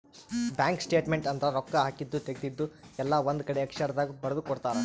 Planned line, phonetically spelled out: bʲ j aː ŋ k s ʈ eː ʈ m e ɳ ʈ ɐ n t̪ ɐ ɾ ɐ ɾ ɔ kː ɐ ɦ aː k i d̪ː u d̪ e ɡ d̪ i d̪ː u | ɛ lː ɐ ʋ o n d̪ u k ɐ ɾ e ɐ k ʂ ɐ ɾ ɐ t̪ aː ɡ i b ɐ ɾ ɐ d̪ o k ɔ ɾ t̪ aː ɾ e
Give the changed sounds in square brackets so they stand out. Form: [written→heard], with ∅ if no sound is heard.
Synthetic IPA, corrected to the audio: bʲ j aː ŋ k s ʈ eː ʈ m e ɳ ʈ ɐ n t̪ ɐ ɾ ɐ ɾ ɔ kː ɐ ɦ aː k i d̪ː u [d̪→t̪] e ɡ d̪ i d̪ː u | ɛ lː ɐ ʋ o n d̪ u k ɐ [ɾ→ɽ] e ɐ k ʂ ɐ ɾ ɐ [t̪→d̪] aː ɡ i b ɐ ɾ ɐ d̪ [o→u] k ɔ [ɾ→ɽ] t̪ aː ɾ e